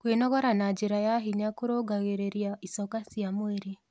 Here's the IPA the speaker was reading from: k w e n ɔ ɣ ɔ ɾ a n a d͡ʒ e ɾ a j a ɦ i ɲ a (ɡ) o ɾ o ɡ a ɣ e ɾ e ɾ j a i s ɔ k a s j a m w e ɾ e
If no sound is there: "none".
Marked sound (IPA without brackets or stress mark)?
k